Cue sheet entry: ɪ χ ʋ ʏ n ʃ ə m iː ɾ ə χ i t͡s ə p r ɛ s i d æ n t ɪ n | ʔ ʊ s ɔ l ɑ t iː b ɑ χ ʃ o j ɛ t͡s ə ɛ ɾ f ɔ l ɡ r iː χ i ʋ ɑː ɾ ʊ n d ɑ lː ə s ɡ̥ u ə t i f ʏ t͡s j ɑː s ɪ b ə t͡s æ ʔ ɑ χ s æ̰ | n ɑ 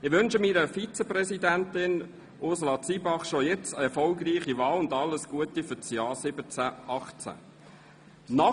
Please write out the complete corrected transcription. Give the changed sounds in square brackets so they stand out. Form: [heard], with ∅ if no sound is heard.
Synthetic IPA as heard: ɪ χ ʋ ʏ n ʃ ə m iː ɾ ə [f] i t͡s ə p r ɛ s i d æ n t ɪ n | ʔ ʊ s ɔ l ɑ [t͡s] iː b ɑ χ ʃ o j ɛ t͡s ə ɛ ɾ f ɔ l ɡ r iː χ i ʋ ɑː [l] ʊ n d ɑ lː ə s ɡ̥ u ə t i f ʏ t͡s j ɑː s ɪ b ə t͡s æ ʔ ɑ χ [t͡s] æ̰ | n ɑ

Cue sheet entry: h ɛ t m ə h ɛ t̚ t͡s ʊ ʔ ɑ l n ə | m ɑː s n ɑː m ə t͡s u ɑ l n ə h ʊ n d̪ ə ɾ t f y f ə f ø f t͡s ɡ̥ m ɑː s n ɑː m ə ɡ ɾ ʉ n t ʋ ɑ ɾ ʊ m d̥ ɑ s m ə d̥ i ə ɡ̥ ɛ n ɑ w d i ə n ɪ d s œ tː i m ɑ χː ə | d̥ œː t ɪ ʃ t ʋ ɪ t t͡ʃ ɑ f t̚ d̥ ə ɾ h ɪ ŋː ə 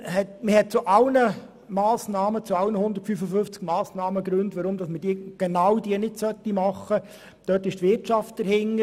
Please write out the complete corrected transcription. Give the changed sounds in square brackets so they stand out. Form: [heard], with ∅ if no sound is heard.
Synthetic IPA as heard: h ɛ t m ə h ɛ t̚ t͡s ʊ ʔ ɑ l n ə | m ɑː s n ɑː m ə t͡s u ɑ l n ə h ʊ n d̪ ə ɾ t f y f ə f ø f t͡s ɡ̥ m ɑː s n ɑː m ə ɡ ɾ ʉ n t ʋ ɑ ɾ ʊ m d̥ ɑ s m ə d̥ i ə ɡ̥ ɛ n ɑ w d i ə n ɪ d s œ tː i m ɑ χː ə | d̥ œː t ɪ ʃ t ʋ ɪ t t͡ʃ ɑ f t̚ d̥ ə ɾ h ɪ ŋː ə

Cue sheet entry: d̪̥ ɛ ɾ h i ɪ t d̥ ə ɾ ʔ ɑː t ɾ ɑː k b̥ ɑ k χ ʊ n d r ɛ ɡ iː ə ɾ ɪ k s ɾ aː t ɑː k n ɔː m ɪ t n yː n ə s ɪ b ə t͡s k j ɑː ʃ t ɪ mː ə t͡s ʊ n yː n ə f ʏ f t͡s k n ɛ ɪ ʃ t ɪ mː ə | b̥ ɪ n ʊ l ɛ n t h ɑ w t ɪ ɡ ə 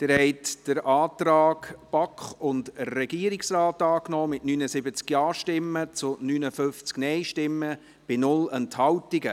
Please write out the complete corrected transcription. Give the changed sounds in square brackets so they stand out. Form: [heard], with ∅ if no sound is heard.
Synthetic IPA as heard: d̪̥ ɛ ɾ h [ɛ] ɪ t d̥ ə ɾ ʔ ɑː t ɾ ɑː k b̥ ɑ k χ ʊ n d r ɛ ɡ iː ə ɾ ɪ k s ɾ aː t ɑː k n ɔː m ɪ t n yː n ə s ɪ b ə t͡s k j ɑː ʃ t ɪ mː ə t͡s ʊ n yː n ə f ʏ f t͡s k n ɛ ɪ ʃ t ɪ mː ə | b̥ ɪ n ʊ l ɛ n t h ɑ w t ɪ ɡ ə

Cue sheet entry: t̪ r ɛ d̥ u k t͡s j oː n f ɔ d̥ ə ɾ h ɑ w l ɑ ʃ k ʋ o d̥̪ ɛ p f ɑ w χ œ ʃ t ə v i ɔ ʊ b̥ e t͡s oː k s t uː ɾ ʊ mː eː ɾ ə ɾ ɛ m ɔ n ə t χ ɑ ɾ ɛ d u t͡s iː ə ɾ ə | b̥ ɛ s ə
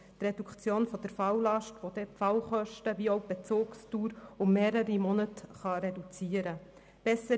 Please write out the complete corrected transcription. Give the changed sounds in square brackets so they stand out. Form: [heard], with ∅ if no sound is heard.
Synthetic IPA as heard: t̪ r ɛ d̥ u k t͡s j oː n f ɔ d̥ ə ɾ [f] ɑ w l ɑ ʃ [t] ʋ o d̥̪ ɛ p f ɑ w χ œ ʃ t ə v i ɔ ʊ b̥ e t͡s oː k s t uː ɾ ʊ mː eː ɾ ə ɾ [i] m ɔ n ə t χ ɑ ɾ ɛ d u t͡s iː ə ɾ ə | b̥ ɛ s ə

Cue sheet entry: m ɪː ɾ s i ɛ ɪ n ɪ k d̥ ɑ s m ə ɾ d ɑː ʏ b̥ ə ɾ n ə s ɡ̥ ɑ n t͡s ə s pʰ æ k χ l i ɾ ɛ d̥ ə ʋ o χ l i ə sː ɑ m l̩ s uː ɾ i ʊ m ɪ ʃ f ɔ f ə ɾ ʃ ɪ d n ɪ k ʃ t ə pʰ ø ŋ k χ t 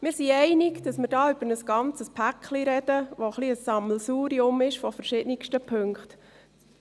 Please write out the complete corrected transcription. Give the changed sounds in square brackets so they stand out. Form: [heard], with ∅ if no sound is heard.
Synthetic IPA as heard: m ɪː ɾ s i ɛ ɪ n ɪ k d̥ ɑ s m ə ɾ d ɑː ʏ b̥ ə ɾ n ə s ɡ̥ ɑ n t͡s ə s pʰ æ k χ l i ɾ ɛ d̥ ə ʋ o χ l i ə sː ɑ m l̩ s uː ɾ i ʊ m ɪ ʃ f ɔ f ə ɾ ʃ ɪ d n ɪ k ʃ t ə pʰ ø ŋ k χ t

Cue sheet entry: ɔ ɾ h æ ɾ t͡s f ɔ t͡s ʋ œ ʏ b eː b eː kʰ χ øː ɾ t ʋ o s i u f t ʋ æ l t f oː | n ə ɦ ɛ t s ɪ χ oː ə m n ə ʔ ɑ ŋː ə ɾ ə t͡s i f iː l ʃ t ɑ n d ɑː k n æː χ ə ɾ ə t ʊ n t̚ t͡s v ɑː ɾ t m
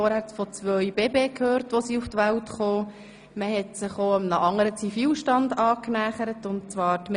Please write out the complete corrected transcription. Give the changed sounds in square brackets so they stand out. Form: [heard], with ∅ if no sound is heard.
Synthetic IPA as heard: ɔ ɾ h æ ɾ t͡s f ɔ t͡s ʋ œ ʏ b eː b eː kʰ [h] øː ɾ t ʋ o s i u f t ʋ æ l t [χ] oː | [m] ə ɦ ɛ t s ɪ χ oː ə m n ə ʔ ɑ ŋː ə ɾ ə t͡s i f iː l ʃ t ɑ n d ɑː k n æː χ ə ɾ ə t ʊ n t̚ t͡s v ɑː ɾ t m

